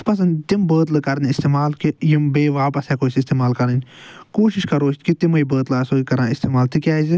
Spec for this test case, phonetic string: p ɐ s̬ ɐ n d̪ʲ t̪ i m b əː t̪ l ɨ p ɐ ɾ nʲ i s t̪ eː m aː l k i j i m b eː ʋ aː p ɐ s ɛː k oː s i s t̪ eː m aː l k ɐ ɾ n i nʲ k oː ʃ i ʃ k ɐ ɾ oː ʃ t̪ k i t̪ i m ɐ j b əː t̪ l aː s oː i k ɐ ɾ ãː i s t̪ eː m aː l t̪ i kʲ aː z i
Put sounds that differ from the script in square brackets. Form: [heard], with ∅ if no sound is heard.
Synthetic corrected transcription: p ɐ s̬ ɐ n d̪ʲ t̪ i m b əː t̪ l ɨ [k] ɐ ɾ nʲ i s t̪ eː m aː l k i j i m b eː ʋ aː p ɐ s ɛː k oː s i s t̪ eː m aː l k ɐ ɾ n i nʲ k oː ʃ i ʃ k ɐ ɾ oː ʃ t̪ k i t̪ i m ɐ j b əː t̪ l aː s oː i k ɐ ɾ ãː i s t̪ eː m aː l t̪ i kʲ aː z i